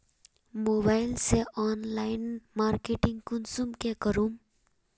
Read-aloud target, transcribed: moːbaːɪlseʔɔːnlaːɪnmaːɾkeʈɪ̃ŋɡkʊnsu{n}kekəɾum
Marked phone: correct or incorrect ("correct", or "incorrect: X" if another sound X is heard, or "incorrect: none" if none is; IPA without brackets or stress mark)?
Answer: incorrect: m